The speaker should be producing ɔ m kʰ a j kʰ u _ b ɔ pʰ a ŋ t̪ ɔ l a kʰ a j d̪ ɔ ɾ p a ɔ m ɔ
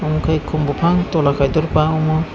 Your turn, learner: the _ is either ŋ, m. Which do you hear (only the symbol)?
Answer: m